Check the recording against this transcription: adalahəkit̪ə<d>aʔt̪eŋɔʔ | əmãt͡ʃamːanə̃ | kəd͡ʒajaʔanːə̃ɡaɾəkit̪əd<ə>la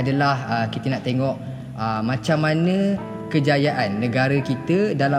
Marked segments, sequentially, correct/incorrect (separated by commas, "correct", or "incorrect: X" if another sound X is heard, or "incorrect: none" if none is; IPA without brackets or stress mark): incorrect: n, incorrect: a